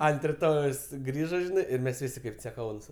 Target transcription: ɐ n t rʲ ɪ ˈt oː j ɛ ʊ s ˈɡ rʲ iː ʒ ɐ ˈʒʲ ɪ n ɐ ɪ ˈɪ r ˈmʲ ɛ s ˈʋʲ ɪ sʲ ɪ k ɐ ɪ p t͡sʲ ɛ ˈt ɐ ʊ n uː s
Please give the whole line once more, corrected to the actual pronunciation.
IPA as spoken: ɐ n t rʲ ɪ ˈt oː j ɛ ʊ s ˈɡ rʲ iː ʒ ɐ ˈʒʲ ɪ n ɐ ɪ ˈɪ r ˈmʲ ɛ s ˈʋʲ ɪ sʲ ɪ k ɐ ɪ p t͡sʲ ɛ ˈk ɐ ʊ n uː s